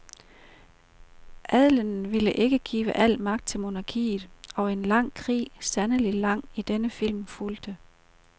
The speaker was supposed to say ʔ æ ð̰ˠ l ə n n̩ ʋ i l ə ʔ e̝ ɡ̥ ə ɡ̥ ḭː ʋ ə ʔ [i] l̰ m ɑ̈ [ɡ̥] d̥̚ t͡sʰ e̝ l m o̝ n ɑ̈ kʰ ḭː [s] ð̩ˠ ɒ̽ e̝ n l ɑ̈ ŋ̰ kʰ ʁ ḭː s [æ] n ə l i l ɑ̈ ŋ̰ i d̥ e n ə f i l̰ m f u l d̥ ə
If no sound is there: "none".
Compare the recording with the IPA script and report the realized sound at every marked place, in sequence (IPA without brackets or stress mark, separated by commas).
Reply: æ, ɡ̥, none, æ